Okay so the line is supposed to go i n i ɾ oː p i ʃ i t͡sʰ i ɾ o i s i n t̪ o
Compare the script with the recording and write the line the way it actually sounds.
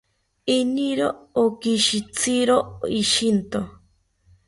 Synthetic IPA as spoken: i n i ɾ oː k i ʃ i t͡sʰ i ɾ o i ʃ i n t̪ o